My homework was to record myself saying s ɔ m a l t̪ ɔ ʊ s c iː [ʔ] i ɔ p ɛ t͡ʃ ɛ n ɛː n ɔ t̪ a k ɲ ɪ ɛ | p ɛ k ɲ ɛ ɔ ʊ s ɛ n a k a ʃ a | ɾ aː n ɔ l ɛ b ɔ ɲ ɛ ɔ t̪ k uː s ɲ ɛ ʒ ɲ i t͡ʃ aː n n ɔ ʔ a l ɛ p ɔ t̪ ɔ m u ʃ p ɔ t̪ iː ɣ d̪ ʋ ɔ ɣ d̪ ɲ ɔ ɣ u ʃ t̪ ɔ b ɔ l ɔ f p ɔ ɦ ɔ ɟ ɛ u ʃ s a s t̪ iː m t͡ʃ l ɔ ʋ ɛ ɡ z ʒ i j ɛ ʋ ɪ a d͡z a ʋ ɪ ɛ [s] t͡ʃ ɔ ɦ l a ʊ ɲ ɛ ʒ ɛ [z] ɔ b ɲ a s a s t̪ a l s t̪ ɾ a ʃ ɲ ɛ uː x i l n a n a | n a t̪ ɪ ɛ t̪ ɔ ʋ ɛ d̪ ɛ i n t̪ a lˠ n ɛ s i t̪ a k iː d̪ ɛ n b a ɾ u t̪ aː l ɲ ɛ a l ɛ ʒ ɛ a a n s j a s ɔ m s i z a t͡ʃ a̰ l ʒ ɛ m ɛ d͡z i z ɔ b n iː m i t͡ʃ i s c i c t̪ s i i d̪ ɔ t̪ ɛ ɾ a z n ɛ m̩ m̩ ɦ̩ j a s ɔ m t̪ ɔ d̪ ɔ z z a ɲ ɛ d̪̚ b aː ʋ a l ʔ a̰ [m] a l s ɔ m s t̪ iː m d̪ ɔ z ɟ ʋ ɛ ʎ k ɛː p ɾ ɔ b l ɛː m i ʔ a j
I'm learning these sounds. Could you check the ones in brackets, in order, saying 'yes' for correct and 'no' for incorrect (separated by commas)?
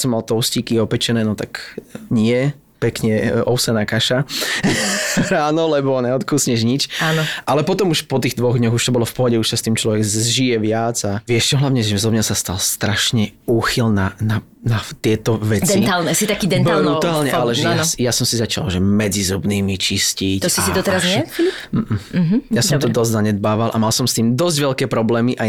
no, no, yes, yes